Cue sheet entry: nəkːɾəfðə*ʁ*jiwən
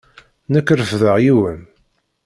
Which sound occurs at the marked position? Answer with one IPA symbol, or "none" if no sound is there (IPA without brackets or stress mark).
ʁ